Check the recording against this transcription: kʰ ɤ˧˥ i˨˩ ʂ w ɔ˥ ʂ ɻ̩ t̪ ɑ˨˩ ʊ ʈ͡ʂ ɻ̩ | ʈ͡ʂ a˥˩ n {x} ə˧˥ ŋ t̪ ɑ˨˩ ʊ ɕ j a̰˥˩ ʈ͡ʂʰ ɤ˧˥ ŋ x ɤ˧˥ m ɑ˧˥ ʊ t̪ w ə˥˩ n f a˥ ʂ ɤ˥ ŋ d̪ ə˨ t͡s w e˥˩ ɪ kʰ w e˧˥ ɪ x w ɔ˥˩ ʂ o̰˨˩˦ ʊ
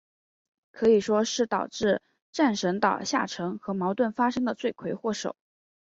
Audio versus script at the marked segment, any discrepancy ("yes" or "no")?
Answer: yes